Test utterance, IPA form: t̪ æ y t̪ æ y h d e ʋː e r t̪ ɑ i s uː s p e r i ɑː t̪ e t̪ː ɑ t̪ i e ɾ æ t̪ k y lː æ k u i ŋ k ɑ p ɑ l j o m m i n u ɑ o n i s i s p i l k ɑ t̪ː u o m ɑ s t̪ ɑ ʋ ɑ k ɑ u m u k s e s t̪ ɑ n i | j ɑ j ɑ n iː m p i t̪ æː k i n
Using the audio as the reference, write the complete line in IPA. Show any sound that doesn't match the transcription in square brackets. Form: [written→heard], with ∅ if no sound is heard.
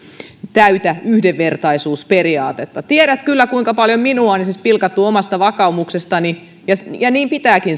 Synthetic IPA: t̪ æ y t̪ æ y h d e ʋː e r t̪ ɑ i s uː s p e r i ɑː t̪ e t̪ː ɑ t̪ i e ɾ æ t̪ k y lː æ k u i ŋ k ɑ p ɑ l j o m m i n u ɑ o n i s i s p i l k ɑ t̪ː u o m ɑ s t̪ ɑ ʋ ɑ k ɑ u m u k s e s t̪ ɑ n i | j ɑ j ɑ n iː m p i t̪ æː k i n